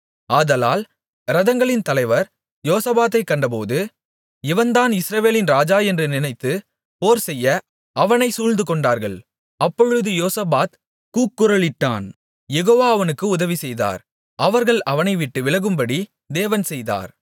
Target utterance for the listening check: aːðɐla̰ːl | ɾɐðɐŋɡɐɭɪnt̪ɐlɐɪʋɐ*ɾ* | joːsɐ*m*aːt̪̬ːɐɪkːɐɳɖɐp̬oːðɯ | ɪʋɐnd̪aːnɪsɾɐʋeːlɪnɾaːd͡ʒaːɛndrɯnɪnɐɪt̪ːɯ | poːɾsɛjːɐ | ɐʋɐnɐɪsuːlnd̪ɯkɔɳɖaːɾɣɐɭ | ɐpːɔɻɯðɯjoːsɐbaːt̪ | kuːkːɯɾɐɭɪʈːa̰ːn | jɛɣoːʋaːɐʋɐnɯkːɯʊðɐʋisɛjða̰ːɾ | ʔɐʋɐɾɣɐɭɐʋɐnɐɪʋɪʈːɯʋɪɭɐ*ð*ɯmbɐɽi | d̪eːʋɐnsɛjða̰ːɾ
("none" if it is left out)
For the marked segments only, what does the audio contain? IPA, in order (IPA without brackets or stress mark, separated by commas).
ɾ, b, ɣ